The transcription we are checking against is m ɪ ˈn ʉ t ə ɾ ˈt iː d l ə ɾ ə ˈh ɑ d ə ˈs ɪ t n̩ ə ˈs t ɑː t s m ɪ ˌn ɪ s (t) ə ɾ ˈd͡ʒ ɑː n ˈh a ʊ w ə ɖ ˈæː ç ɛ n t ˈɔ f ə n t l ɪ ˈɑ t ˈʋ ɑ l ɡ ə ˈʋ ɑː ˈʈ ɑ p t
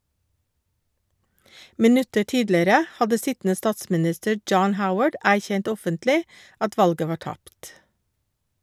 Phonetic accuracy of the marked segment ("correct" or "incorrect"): correct